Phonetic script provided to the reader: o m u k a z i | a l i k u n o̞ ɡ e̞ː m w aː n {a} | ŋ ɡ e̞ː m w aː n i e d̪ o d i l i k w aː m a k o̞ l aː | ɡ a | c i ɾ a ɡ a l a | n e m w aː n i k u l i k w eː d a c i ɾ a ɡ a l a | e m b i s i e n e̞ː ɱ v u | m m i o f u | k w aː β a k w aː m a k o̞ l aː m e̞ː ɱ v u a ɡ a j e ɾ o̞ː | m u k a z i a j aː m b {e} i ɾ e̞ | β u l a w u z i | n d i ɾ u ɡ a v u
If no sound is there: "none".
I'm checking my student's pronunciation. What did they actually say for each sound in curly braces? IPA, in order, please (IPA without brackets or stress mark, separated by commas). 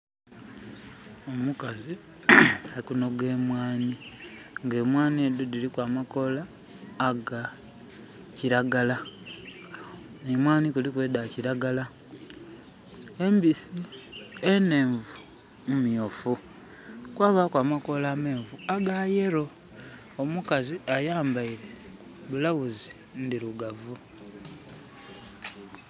i, a